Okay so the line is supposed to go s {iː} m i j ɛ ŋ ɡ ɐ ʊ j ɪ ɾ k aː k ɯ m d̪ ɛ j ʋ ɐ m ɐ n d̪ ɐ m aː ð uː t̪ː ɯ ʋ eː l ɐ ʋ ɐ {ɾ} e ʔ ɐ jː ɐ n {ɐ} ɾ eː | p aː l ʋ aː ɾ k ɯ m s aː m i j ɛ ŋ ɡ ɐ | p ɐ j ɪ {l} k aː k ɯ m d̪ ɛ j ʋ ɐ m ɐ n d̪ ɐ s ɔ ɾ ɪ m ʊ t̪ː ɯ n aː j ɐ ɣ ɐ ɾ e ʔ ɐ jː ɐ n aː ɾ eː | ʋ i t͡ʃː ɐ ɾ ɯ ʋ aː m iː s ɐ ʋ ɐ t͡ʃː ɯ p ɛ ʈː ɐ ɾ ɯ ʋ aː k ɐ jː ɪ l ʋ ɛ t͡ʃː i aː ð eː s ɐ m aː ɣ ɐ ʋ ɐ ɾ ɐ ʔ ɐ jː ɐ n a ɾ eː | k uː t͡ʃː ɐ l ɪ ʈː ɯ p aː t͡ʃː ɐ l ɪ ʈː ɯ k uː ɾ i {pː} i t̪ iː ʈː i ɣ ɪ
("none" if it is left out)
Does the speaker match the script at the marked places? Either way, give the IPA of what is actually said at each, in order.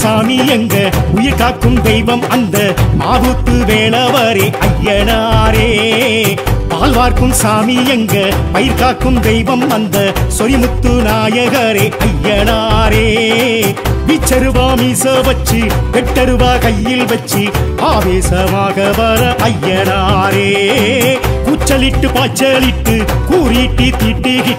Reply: aː, ɾ, a, ɾ, ʈː

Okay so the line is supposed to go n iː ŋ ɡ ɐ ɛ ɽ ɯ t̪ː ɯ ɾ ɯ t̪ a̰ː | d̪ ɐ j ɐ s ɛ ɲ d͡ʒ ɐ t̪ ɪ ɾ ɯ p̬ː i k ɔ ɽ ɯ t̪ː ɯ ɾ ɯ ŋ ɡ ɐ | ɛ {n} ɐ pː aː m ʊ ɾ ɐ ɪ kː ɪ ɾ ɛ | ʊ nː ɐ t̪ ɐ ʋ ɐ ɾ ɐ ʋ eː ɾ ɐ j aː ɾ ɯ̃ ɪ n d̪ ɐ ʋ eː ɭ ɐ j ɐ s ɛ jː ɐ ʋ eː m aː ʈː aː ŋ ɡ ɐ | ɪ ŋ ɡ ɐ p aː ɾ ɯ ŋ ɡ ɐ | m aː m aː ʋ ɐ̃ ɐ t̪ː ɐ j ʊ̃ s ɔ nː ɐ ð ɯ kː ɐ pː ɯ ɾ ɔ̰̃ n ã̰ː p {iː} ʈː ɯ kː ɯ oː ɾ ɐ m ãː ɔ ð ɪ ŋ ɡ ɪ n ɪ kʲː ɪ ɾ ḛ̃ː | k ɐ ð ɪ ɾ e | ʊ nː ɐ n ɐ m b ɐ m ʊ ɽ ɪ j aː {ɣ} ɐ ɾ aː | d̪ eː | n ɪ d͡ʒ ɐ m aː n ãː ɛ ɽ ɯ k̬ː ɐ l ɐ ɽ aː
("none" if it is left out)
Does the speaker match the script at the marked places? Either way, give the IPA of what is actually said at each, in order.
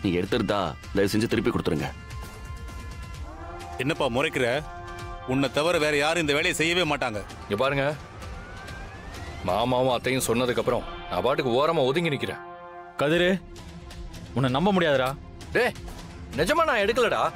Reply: nː, aː, ð

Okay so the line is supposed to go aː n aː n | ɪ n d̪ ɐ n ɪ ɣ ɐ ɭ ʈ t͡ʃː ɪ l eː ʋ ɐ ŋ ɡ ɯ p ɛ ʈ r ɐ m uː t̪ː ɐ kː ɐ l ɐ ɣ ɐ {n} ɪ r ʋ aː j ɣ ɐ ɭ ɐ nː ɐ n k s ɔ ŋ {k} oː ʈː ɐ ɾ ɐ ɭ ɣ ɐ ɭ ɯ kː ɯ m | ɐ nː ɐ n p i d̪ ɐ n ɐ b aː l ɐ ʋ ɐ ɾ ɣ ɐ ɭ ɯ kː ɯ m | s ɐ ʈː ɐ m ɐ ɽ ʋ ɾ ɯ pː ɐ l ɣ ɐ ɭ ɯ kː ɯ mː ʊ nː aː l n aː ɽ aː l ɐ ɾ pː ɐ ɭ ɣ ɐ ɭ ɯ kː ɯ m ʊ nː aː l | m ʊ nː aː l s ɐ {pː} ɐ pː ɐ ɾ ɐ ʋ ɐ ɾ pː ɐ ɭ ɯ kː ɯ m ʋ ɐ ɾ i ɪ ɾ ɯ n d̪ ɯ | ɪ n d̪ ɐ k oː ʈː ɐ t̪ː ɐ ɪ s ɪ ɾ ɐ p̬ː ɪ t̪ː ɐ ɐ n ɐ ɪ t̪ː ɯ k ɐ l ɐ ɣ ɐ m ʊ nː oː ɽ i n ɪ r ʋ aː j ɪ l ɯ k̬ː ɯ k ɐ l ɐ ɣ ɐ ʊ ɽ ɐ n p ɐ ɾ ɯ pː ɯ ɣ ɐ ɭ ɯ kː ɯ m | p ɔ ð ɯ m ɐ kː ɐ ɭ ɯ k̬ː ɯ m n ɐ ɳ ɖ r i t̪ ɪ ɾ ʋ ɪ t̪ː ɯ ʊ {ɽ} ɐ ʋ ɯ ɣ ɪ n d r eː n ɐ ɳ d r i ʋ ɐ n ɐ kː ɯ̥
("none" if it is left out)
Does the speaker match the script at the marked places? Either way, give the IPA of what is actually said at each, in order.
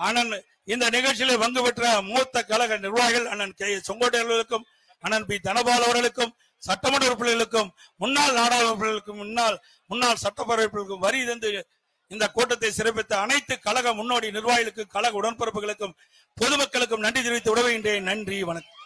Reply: n, ɡ, ʈː, ɽ

